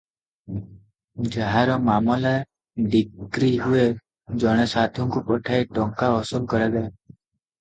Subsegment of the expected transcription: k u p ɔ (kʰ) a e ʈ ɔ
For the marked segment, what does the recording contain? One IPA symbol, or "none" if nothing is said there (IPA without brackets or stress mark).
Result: ʈʰ